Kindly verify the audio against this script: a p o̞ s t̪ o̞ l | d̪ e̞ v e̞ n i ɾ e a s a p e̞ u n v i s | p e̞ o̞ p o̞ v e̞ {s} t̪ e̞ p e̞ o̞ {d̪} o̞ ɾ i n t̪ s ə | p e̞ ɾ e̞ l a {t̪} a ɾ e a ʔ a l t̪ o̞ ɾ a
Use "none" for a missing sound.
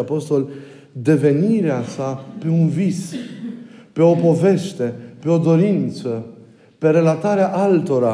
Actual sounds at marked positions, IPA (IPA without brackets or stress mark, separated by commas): ʃ, d̪, t̪